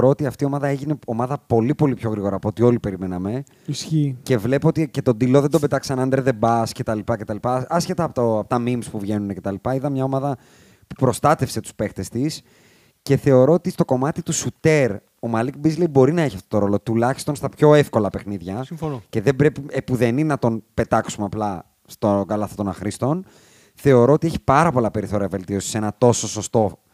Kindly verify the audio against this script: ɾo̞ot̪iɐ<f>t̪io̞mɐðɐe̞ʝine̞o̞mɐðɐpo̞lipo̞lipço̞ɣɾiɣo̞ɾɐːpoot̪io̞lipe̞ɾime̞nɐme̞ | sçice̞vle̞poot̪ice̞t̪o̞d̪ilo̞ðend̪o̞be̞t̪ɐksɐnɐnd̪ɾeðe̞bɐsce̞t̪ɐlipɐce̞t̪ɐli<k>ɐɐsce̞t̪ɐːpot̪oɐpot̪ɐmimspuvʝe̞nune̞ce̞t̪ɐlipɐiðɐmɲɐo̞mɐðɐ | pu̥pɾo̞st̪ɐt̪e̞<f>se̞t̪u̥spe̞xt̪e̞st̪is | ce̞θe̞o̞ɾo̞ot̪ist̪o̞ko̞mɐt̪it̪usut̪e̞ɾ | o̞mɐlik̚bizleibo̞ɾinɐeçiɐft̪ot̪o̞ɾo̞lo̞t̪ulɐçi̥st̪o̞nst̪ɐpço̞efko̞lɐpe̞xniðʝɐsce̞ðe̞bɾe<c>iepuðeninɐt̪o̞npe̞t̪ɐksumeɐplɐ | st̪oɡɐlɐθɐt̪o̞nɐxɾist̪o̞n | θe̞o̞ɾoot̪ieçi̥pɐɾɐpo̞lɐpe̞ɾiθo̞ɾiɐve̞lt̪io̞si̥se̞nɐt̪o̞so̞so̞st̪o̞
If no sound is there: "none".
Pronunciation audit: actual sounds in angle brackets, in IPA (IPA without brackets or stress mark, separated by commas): f, p, f, p